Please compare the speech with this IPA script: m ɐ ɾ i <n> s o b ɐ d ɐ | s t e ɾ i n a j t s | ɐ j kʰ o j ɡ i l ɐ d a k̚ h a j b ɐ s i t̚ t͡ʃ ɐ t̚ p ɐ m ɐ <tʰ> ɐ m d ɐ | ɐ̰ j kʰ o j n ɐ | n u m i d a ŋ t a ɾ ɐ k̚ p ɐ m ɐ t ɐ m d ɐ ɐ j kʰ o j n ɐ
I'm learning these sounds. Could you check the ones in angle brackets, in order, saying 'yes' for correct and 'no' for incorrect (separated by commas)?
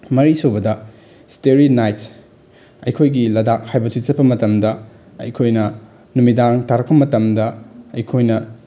no, no